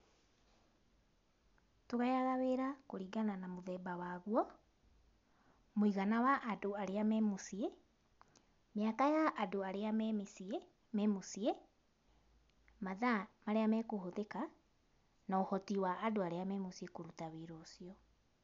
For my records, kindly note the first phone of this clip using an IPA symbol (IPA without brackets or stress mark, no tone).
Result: t